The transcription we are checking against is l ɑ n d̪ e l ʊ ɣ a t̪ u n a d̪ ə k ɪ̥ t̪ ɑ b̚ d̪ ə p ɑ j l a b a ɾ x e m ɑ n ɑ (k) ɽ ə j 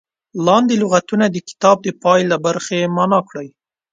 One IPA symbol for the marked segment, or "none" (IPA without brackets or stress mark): k